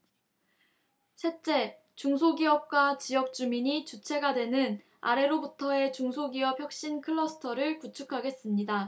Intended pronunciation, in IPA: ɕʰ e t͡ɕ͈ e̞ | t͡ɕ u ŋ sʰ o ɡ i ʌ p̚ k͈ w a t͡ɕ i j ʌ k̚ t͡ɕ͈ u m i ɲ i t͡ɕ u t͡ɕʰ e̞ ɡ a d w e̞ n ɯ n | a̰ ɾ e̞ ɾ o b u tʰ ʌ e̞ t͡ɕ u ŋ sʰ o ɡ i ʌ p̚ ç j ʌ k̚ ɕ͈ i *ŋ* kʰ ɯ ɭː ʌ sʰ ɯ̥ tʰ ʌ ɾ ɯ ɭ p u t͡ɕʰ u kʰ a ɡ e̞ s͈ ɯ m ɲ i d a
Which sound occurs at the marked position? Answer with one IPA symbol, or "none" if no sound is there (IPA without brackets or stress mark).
n